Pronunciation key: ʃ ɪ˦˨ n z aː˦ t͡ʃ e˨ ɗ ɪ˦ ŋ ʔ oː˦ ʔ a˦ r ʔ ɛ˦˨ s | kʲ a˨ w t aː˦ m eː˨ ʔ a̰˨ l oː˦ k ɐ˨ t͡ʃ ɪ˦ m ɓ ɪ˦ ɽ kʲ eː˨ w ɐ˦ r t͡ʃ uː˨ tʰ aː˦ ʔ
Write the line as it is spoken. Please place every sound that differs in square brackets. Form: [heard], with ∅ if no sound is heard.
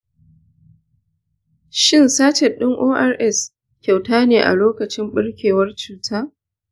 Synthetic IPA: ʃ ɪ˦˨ n [s] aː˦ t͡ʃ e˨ ɗ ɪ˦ ŋ ʔ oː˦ ʔ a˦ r ʔ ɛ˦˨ s | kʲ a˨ w t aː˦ [n] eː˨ ʔ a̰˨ l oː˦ k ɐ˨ t͡ʃ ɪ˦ m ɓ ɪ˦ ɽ kʲ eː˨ w ɐ˦ r t͡ʃ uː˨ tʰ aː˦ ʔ